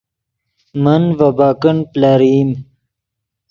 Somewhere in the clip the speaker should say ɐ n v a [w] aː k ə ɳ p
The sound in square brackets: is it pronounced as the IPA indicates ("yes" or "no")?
no